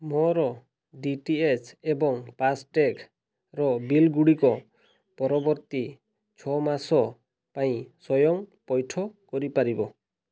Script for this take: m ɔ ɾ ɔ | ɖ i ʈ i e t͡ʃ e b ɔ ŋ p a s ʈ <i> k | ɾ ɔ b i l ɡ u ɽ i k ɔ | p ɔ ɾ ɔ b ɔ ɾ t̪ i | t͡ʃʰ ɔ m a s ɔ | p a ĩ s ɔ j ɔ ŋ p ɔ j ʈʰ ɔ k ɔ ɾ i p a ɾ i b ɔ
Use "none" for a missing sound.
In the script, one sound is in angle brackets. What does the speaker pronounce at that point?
e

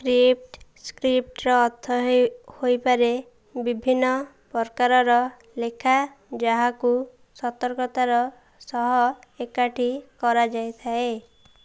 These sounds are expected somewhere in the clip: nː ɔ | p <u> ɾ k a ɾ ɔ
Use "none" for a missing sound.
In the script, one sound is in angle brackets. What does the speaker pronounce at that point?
ɔ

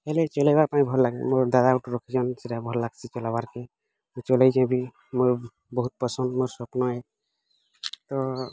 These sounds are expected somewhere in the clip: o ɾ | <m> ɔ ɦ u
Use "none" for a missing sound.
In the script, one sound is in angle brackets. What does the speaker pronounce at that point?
b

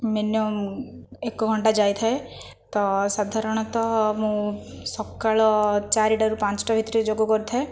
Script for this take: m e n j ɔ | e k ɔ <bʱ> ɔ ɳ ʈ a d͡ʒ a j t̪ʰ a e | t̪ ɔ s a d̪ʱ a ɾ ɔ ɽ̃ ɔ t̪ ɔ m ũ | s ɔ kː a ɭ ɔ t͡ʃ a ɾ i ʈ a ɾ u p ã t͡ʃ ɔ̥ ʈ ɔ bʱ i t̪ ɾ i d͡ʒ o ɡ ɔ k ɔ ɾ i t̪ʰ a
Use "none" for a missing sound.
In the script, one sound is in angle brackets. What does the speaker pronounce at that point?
ɡʱ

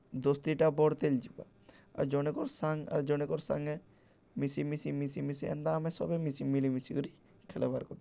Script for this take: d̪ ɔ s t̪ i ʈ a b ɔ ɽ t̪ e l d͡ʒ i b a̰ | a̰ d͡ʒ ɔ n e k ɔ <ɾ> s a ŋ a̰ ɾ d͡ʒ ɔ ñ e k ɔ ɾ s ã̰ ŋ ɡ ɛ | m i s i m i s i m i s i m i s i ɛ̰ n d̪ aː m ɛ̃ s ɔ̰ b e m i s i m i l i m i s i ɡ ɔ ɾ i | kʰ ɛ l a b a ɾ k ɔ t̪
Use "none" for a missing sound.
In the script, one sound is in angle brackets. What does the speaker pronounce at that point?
ɾ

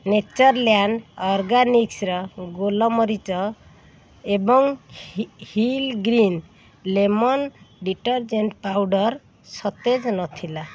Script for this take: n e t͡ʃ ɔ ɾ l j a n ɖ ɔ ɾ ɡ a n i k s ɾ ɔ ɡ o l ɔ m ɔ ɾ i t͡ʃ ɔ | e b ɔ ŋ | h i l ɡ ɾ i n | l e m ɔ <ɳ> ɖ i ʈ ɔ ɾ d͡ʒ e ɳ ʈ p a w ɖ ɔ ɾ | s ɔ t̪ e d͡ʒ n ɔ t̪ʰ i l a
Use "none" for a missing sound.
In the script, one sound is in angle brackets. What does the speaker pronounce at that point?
n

